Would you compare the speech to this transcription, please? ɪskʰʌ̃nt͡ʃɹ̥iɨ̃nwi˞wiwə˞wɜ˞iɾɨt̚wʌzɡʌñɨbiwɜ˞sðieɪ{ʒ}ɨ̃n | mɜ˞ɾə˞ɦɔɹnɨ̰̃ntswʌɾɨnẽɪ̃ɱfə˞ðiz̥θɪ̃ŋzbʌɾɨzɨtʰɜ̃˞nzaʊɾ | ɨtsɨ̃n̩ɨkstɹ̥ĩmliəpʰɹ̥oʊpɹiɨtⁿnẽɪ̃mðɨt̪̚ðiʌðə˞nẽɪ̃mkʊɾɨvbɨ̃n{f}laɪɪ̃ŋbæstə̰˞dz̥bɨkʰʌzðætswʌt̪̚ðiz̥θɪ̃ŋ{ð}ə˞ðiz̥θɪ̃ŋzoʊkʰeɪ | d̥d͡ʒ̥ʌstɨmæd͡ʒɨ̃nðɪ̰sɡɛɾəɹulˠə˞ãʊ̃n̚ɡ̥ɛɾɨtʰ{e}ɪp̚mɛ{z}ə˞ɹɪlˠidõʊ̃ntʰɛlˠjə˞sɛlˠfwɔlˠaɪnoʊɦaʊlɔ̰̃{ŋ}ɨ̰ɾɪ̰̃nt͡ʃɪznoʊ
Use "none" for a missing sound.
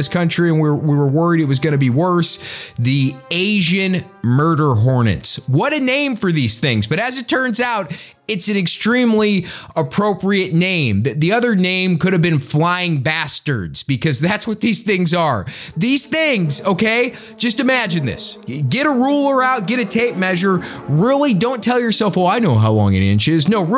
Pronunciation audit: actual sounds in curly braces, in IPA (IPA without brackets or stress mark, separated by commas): ʒ, f, z, e, ʒ, ŋ